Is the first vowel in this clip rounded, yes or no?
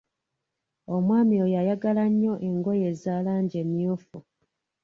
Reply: yes